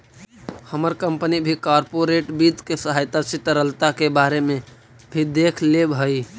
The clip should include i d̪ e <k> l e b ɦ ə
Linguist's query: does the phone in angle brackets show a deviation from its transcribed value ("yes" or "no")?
yes